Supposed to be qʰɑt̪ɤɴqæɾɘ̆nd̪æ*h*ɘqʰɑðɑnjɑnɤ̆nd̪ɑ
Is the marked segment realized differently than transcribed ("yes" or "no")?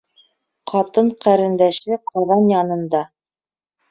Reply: yes